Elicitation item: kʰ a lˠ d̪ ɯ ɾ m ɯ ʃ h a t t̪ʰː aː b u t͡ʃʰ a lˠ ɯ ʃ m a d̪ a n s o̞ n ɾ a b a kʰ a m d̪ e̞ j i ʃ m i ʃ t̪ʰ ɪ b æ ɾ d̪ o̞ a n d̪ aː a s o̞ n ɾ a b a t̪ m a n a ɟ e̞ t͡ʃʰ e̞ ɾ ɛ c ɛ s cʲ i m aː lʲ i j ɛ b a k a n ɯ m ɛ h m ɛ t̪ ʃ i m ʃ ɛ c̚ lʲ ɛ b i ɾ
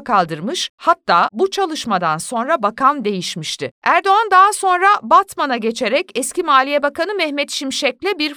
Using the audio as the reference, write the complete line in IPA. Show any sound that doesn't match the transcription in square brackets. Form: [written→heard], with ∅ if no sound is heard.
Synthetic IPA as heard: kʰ a lˠ d̪ ɯ ɾ m ɯ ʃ h a t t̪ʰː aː b u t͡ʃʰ a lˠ ɯ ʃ m a d̪ a n s o̞ n ɾ a b a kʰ a m d̪ e̞ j i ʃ m i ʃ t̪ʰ ɪ [b→∅] æ ɾ d̪ o̞ a n d̪ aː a s o̞ n ɾ a b a t̪ m a n a ɟ e̞ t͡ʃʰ e̞ ɾ ɛ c ɛ s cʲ i m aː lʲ i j ɛ b a k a n ɯ m ɛ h m ɛ t̪ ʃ i m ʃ ɛ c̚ lʲ ɛ b i ɾ